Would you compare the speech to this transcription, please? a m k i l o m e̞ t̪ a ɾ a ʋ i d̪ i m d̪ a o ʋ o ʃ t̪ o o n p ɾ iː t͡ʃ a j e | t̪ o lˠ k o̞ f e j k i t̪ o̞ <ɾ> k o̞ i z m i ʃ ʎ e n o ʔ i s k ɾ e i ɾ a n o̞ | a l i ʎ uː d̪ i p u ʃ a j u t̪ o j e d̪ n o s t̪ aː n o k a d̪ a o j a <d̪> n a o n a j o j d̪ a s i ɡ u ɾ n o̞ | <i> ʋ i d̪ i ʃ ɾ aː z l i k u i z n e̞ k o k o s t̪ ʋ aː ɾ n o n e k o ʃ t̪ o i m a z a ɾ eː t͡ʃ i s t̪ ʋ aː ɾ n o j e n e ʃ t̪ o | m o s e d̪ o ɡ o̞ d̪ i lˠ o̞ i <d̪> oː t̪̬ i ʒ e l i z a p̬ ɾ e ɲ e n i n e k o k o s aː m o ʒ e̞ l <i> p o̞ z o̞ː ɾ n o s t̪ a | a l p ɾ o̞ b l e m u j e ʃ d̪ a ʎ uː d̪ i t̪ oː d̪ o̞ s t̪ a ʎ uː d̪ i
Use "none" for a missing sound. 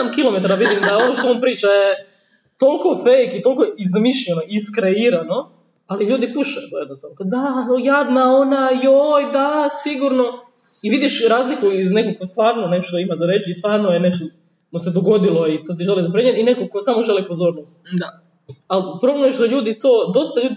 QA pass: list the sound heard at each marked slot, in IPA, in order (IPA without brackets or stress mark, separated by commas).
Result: l, d̪, i, t̪, i